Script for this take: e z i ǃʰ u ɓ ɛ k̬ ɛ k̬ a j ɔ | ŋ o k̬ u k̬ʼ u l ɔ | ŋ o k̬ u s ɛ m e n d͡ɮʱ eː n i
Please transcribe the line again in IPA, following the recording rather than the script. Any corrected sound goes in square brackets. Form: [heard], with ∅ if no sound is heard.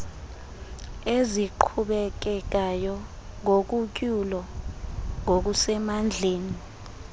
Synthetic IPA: e z i ǃʰ u ɓ ɛ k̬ ɛ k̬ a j ɔ | ŋ o k̬ u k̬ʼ u l ɔ | ŋ o k̬ u s ɛ m [a] n d͡ɮʱ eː n i